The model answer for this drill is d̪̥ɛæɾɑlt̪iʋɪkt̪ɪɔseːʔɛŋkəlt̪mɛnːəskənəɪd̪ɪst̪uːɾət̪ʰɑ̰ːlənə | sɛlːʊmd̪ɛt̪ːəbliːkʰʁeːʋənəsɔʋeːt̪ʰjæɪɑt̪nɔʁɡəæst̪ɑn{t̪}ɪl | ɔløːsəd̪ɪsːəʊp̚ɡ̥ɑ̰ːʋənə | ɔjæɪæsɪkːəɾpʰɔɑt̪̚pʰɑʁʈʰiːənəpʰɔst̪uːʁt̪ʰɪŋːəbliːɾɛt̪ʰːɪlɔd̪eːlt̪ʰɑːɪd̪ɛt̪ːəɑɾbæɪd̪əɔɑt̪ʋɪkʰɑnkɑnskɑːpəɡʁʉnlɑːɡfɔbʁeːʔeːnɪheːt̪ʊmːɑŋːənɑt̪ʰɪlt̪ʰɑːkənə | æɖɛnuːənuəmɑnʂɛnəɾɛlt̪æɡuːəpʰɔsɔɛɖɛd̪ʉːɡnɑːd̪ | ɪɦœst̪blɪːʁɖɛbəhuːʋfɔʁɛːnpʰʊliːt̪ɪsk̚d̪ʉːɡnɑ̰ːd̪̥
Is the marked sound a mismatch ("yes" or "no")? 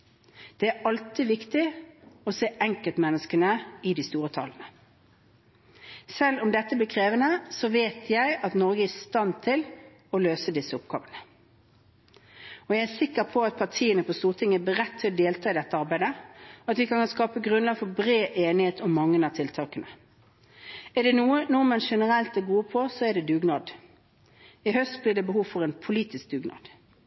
yes